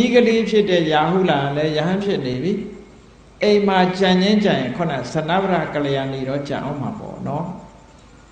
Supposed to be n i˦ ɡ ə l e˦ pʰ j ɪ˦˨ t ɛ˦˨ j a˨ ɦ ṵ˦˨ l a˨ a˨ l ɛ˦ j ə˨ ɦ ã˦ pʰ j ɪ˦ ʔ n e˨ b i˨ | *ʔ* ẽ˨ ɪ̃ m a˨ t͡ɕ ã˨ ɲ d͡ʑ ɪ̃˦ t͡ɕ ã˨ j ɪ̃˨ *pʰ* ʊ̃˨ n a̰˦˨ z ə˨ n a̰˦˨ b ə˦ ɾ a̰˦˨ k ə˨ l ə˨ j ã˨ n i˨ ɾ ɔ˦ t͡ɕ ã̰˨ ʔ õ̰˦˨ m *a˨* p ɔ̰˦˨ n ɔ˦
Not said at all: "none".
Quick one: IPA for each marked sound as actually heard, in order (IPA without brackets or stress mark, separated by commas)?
ʔ, kʰ, a˨